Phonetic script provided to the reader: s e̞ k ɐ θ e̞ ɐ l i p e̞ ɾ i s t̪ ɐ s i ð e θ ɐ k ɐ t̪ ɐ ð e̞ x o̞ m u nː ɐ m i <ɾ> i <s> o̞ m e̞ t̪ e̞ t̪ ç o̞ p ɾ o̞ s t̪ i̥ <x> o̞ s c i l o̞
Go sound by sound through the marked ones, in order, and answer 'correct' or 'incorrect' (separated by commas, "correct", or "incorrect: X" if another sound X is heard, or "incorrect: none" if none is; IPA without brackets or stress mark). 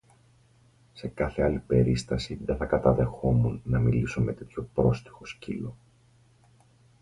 incorrect: l, correct, correct